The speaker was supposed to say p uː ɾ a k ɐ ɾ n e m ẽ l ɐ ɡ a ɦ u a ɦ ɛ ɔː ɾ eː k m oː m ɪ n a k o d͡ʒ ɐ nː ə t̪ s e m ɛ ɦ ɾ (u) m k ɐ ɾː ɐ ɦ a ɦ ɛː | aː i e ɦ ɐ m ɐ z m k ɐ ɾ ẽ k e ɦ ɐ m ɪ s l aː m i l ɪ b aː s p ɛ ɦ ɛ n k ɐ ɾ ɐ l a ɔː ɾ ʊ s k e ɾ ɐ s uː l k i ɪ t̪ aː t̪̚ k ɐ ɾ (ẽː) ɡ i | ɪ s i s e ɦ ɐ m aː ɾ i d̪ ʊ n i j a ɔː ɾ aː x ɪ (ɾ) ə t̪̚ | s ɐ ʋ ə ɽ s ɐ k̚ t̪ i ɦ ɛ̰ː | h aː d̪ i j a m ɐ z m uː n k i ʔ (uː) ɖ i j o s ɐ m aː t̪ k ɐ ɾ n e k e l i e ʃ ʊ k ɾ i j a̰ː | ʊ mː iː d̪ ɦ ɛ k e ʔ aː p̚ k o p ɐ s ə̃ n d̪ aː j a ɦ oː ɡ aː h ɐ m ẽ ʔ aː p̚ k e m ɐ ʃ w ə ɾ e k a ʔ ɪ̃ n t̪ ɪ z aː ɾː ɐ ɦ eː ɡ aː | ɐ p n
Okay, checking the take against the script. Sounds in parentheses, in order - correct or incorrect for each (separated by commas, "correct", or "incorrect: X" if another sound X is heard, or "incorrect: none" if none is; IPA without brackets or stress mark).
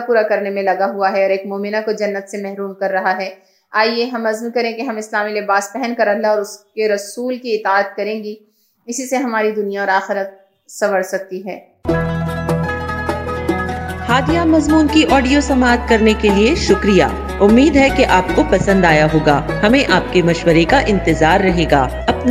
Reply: incorrect: uː, correct, correct, incorrect: ɔː